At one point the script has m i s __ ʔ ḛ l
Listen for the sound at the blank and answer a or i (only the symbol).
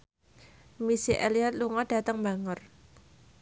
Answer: i